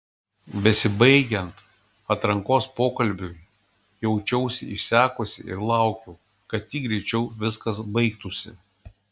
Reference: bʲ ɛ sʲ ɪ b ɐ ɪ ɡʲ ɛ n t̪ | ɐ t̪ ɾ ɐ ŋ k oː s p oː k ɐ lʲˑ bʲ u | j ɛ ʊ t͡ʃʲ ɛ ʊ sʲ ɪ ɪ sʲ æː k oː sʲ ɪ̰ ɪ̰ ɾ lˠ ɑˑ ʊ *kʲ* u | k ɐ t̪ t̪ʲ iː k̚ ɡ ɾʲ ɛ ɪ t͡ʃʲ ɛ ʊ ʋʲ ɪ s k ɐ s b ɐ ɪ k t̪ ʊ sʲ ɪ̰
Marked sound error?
no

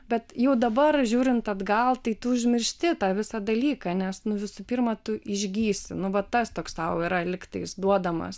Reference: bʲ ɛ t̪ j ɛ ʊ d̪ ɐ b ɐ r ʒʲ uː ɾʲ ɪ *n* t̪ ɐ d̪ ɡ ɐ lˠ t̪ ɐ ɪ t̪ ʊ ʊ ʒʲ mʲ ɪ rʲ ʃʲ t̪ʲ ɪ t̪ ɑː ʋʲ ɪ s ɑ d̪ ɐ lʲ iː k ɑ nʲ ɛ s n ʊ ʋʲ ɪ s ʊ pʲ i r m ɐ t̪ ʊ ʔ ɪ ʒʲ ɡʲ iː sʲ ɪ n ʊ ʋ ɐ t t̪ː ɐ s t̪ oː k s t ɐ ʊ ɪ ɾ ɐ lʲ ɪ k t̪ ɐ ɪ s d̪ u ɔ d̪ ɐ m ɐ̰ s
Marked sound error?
no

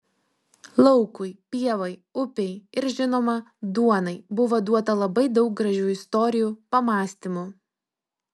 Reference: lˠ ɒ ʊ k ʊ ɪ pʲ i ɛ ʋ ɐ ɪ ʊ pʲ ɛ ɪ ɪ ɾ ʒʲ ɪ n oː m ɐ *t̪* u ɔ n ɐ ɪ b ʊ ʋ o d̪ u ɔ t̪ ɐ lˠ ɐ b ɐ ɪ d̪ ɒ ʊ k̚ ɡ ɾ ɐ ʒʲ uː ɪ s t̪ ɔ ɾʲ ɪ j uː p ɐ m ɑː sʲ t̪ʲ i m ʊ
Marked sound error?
yes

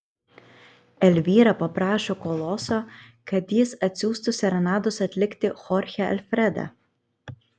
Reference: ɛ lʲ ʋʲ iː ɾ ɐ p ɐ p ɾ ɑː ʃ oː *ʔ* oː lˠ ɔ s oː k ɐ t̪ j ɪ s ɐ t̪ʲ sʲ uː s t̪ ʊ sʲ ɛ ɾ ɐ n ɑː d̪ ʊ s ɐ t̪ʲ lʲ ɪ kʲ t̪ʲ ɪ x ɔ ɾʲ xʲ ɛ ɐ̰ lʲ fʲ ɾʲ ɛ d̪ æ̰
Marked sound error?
yes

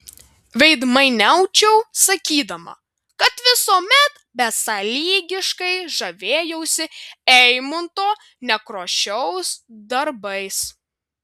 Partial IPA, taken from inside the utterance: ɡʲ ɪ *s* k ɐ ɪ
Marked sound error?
yes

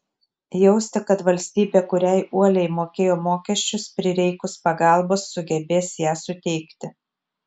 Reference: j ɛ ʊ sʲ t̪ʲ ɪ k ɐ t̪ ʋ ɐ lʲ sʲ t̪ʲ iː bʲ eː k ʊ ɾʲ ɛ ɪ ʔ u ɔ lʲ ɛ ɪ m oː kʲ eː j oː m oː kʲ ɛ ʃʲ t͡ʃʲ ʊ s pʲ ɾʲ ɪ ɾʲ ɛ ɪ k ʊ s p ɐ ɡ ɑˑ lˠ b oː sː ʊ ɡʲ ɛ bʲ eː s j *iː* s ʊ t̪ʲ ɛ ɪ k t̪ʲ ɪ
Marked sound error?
yes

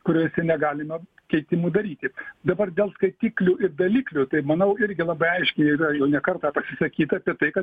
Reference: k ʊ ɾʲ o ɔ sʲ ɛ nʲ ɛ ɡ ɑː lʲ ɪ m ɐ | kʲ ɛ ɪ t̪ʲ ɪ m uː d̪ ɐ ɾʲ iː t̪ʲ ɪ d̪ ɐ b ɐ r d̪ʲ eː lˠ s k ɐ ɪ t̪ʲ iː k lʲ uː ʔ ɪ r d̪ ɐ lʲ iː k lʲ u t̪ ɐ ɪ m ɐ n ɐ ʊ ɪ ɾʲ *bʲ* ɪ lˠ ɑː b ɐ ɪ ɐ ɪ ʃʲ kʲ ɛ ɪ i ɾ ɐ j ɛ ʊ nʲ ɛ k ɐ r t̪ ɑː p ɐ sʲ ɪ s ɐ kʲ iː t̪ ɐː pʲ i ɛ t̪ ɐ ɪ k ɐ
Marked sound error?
yes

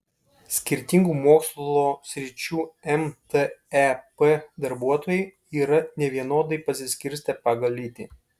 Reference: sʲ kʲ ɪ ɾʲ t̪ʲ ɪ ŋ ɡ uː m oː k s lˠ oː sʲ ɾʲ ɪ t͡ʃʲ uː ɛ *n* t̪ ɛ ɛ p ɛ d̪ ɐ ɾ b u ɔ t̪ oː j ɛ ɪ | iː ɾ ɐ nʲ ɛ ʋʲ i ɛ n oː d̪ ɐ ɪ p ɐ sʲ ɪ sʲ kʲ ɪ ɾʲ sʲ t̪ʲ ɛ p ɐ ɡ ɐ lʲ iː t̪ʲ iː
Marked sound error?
yes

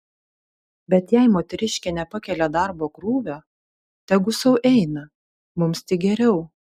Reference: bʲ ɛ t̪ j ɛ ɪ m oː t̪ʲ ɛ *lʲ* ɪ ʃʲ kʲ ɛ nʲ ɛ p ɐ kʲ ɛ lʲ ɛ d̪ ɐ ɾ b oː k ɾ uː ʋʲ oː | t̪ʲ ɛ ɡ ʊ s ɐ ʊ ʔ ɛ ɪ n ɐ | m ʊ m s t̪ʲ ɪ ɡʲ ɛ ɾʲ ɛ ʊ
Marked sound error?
yes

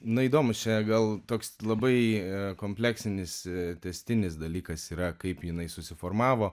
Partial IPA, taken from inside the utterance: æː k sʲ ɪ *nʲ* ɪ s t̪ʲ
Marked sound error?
no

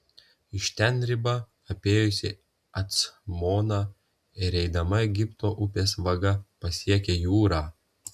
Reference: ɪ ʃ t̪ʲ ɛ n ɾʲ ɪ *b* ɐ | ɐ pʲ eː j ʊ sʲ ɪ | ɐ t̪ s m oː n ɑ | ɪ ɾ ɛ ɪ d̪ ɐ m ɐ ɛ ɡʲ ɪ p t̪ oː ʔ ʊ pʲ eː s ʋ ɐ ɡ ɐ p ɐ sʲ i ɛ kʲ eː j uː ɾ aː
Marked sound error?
no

